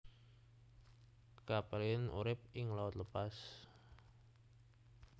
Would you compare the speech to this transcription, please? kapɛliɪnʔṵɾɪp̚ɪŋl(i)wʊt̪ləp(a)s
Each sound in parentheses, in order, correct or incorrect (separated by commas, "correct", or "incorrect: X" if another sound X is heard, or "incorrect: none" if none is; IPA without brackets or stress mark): incorrect: a, correct